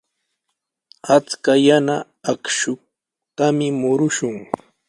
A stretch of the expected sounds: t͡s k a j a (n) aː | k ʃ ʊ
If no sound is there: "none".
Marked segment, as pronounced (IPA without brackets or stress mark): n